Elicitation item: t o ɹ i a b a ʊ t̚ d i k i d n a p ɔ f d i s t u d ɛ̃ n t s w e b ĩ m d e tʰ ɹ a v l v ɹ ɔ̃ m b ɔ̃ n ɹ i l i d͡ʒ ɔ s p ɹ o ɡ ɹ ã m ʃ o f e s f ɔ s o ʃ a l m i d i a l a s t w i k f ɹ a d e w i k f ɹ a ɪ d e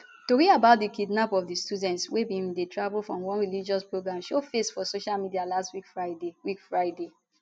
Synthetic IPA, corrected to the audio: t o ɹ i a b a ʊ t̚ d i k i d n a p ɔ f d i s t u d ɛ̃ n t s w e b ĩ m d e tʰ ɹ a v l f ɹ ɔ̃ m w ɔ̃ n ɹ i l i d͡ʒ ɔ s p ɹ o ɡ ɹ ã m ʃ o f e s f ɔ s o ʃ a l m i d i a l a s t w i k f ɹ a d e w i k f ɹ a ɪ d e